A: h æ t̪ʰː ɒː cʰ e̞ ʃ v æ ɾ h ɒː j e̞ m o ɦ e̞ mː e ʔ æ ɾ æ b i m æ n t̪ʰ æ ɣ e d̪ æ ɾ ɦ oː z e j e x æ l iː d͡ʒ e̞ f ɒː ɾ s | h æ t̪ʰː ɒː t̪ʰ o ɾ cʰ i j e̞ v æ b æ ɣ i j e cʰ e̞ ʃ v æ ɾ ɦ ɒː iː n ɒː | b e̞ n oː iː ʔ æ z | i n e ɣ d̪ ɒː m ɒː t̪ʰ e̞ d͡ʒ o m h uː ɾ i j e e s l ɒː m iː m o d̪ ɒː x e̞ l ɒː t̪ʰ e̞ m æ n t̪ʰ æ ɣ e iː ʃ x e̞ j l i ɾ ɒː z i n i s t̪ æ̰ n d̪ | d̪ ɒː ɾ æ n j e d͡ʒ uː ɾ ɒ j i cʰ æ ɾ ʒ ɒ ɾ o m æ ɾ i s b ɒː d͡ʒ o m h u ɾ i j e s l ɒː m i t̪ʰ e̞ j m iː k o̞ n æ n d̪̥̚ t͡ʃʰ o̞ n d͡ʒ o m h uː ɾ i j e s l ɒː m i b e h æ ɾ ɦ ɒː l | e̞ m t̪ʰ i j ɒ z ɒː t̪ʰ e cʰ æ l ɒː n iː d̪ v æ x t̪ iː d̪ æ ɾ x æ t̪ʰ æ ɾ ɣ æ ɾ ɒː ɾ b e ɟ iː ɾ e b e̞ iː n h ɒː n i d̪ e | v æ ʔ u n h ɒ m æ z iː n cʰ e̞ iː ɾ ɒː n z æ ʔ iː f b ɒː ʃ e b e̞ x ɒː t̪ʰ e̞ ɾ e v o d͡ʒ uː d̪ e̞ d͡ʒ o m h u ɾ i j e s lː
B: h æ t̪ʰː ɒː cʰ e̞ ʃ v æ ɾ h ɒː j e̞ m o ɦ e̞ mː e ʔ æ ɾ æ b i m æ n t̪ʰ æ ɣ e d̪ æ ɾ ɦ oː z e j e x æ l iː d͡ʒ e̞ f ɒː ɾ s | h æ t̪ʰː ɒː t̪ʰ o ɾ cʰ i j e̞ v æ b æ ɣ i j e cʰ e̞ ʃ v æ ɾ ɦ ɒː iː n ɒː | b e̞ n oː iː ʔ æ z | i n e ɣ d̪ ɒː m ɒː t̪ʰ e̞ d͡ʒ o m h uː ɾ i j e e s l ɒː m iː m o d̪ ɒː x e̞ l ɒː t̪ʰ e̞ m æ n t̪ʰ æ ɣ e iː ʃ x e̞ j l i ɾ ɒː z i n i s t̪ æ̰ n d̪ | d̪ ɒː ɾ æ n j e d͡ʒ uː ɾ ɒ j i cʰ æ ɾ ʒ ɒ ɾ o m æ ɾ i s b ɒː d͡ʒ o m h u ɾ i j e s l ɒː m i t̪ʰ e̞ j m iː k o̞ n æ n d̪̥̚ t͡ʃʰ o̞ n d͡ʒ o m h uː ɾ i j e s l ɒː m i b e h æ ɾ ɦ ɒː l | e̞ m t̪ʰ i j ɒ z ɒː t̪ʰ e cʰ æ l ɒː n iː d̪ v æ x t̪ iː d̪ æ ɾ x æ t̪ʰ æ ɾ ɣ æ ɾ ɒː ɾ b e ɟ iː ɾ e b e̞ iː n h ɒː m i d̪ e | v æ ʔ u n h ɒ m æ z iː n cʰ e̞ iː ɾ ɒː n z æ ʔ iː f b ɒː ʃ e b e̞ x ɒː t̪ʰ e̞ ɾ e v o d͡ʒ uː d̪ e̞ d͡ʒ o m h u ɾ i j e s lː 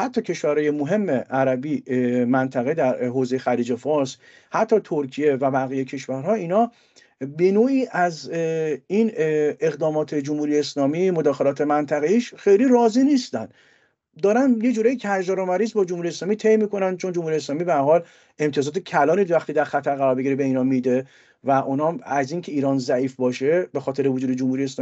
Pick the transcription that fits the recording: B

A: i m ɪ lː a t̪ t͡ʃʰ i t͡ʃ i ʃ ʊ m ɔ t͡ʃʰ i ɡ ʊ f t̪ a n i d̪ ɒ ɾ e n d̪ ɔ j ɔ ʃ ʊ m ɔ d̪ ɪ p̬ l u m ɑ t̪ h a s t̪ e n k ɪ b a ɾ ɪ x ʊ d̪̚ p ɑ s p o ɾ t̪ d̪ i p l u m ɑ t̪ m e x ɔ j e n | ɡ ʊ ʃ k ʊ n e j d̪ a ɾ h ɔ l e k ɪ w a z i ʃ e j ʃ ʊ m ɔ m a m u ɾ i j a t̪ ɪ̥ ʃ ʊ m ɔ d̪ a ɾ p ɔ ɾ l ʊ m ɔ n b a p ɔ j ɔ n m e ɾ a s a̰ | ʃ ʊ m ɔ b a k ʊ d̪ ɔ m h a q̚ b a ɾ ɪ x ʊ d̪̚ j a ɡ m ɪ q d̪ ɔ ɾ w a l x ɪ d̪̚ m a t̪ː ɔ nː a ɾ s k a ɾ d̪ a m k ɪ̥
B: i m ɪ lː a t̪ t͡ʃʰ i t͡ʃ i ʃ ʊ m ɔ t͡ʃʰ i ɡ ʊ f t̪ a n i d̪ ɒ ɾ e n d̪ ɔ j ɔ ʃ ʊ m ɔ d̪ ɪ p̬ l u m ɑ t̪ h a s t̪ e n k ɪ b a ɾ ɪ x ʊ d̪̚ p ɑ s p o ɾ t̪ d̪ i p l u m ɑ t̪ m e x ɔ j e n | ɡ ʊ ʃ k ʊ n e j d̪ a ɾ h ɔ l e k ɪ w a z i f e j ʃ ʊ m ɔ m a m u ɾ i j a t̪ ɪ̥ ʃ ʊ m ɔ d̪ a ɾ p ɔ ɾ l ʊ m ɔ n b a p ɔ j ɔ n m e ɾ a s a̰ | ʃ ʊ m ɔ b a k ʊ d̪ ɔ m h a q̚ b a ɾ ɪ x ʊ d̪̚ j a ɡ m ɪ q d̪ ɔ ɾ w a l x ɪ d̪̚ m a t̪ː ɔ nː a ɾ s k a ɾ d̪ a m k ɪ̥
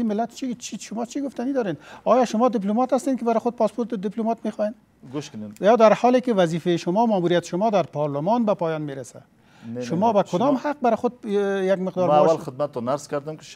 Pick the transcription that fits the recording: B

